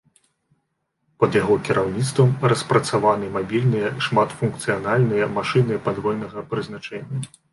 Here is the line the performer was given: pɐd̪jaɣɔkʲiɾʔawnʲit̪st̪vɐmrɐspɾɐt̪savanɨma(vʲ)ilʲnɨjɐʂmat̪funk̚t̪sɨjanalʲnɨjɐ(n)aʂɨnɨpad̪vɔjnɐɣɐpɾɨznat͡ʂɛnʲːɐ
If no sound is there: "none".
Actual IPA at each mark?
bʲ, m

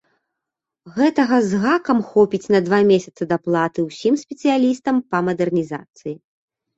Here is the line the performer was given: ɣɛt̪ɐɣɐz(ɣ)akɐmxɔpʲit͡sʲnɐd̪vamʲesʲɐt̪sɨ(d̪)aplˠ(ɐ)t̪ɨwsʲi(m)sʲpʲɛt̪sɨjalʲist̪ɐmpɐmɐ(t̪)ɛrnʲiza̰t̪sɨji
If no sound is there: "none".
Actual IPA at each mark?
ɣ, d̪, a, m, d̪

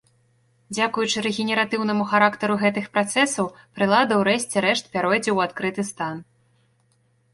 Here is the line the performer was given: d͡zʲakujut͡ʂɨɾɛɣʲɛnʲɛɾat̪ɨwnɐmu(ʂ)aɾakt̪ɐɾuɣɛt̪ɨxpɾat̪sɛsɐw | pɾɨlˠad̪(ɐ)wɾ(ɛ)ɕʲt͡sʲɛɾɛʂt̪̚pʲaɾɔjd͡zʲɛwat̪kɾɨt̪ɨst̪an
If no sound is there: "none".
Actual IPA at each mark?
x, ɐ, ɛ

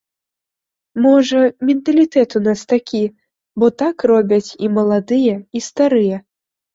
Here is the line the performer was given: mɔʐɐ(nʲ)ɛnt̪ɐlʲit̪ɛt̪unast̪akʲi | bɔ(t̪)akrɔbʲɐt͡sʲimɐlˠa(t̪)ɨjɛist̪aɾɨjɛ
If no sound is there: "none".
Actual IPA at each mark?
mʲ, t̪, d̪

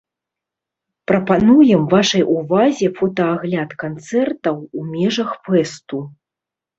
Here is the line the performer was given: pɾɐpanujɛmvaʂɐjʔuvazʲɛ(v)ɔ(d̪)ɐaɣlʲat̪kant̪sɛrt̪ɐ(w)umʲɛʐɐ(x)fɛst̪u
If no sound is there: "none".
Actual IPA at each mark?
f, t̪, w, x

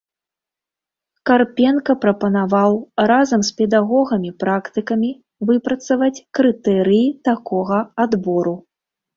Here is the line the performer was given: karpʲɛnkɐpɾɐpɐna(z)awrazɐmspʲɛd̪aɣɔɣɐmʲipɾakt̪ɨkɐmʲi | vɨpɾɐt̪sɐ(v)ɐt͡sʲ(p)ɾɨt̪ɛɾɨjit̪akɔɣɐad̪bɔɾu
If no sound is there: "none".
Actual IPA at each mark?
v, v, k

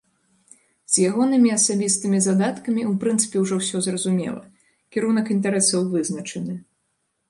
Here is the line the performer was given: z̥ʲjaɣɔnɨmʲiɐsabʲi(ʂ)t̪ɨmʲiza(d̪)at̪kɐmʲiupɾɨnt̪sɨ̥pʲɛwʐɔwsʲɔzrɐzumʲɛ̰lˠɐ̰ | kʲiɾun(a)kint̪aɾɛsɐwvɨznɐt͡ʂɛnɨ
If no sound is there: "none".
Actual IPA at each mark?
s, d̪, ɐ

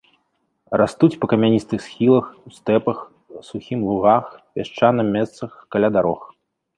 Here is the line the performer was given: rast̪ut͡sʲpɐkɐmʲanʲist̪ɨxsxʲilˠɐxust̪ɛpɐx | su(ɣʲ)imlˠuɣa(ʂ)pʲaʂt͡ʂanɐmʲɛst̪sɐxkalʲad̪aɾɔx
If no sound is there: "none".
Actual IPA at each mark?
xʲ, x

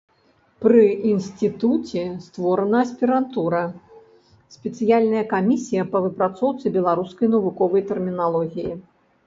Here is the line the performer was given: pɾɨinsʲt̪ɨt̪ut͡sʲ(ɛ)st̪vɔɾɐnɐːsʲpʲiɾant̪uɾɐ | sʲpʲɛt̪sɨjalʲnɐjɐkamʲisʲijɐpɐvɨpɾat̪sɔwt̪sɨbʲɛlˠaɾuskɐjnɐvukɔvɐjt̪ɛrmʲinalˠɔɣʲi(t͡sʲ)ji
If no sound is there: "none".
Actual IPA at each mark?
ɛ, none

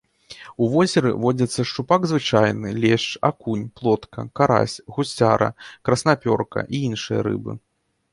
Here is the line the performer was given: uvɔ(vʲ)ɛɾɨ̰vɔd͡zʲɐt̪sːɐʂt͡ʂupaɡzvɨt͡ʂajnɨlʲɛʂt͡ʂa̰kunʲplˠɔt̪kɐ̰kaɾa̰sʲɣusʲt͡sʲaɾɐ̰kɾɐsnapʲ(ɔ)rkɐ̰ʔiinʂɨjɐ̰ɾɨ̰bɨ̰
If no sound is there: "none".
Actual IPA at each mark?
zʲ, ɔ

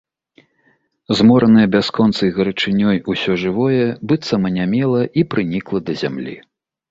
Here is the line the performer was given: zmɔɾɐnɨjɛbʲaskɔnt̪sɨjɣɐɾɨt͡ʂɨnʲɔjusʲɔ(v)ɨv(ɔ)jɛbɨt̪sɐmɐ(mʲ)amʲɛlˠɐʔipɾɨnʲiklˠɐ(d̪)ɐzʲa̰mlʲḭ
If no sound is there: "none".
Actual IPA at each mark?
ʐ, ɔ, nʲ, d̪

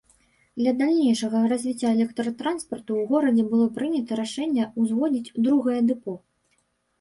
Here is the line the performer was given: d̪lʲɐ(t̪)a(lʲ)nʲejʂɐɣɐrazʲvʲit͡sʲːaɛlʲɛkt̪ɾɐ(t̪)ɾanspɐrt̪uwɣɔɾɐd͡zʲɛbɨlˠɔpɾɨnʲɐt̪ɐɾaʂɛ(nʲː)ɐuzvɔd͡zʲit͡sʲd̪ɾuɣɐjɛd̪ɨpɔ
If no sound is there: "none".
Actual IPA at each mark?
d̪, lʲ, t̪, nʲː

